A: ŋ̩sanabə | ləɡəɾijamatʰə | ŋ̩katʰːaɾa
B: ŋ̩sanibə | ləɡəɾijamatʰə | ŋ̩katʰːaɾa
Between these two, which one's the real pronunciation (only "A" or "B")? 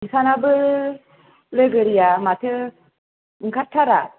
A